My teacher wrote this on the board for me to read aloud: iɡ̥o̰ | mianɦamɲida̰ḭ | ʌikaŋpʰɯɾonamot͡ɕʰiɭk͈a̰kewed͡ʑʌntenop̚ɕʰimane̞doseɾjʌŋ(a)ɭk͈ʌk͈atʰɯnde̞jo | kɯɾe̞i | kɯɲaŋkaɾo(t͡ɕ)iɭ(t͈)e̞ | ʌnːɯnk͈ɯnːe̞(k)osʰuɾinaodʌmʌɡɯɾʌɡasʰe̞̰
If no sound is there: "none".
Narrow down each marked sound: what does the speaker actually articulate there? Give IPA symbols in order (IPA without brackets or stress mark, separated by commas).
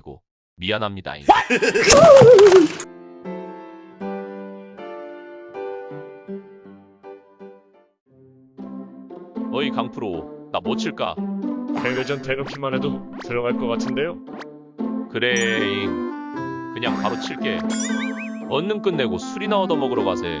a, t͡ɕʰ, k͈, ɡ